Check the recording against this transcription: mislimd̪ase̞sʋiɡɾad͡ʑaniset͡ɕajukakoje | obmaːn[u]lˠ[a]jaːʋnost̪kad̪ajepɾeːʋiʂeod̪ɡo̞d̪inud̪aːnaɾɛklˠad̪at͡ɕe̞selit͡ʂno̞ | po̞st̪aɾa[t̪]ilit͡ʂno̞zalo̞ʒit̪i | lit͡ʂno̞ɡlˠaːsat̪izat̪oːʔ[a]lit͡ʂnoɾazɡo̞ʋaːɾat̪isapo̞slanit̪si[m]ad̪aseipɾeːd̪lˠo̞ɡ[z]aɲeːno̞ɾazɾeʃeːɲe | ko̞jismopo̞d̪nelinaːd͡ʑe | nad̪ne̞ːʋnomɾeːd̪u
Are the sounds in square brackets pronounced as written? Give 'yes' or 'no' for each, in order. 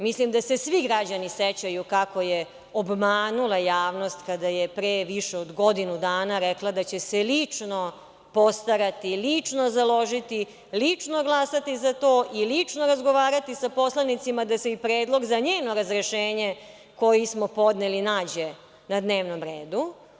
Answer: yes, yes, yes, no, yes, yes

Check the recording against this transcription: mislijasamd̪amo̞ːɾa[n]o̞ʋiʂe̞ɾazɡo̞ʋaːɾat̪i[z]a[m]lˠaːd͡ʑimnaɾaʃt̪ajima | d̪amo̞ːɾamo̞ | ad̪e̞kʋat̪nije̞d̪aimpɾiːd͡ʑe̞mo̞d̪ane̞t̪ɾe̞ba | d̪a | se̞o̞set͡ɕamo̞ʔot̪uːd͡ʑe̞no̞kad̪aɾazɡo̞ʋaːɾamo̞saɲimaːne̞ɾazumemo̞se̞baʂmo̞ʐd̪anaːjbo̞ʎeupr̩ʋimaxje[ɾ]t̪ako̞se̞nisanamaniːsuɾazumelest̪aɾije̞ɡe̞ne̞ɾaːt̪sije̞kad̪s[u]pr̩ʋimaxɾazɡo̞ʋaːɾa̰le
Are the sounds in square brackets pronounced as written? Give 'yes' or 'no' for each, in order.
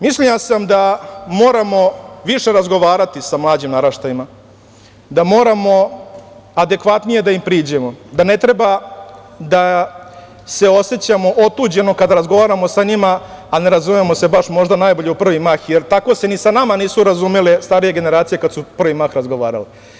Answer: no, no, yes, yes, yes

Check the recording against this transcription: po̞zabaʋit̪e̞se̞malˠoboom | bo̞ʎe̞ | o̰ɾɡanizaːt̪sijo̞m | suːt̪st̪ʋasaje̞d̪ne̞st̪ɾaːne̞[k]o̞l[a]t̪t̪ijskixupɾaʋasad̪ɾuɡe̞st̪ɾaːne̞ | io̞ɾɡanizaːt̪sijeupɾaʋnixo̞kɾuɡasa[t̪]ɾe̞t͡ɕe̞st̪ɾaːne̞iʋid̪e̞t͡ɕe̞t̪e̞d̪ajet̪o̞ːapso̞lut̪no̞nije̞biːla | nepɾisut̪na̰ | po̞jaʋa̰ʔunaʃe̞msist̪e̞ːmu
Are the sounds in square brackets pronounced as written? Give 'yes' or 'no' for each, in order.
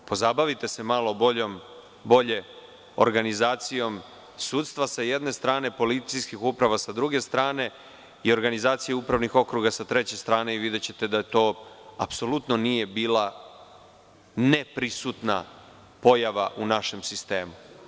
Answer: no, no, yes

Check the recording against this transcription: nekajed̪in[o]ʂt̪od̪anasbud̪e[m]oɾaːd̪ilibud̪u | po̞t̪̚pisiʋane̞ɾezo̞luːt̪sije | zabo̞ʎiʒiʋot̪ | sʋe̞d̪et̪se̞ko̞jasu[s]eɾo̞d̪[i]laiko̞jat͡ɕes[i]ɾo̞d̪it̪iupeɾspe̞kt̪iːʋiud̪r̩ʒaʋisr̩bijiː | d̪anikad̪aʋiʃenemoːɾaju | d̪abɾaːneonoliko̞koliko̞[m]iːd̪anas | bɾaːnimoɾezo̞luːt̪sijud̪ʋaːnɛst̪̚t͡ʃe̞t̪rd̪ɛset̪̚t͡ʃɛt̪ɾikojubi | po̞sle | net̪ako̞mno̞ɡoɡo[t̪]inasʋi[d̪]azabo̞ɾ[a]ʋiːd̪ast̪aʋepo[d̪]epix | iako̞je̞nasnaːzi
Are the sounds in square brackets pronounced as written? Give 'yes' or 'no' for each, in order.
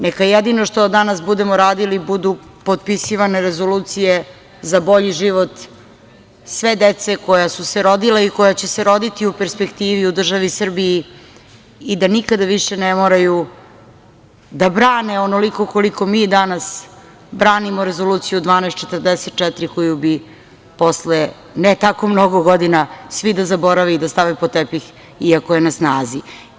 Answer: yes, yes, yes, yes, no, yes, no, yes, yes, no

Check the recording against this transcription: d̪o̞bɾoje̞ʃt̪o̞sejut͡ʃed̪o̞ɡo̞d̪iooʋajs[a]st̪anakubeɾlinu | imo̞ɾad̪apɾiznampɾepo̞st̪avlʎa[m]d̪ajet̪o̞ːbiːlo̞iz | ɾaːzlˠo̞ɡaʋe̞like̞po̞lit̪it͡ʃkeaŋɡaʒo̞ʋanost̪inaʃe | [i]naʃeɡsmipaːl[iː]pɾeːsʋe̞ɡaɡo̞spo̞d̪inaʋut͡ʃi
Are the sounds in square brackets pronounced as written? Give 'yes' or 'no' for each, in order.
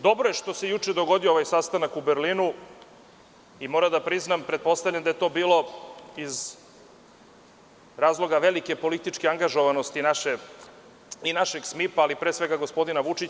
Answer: yes, no, yes, no

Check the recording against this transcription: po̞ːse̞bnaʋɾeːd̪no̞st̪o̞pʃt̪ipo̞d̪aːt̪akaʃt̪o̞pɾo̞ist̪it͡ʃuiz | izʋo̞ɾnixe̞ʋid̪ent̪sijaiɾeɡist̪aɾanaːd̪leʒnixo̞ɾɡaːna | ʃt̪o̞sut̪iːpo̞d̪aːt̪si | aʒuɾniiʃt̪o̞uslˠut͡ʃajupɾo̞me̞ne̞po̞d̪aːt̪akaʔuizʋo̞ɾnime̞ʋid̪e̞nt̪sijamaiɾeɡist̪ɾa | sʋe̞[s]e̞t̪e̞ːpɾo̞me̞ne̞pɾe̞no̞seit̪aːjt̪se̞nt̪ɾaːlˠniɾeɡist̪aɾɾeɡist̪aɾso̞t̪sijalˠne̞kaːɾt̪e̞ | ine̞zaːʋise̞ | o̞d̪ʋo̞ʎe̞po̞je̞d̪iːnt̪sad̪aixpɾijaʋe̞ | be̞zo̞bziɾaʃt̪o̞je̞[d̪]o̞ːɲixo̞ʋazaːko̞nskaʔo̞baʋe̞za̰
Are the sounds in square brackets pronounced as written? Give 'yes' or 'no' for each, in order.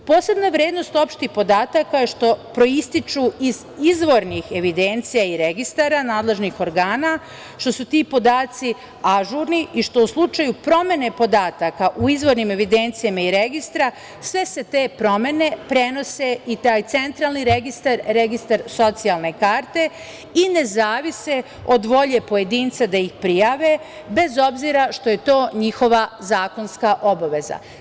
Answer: yes, no

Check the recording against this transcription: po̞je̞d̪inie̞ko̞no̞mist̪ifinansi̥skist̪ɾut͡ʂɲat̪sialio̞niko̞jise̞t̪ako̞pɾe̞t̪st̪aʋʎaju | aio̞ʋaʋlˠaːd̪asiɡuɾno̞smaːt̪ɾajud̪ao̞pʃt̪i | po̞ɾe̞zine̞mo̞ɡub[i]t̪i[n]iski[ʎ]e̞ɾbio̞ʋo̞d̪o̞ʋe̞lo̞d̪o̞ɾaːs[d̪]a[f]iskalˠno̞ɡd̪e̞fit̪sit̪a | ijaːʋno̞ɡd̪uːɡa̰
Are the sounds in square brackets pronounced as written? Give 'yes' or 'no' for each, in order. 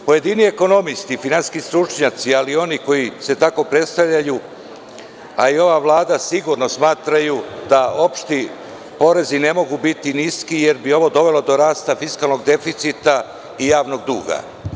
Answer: yes, yes, no, no, yes

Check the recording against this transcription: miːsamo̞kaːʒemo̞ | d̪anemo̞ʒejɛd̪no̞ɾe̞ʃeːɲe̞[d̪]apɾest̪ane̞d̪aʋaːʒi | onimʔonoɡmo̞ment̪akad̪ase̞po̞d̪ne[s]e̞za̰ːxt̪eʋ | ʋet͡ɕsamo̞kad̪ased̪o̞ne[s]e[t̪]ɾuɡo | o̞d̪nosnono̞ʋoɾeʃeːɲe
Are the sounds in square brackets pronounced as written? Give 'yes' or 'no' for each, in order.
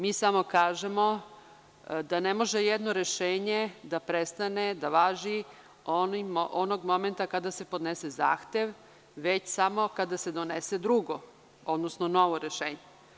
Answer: yes, yes, yes, no

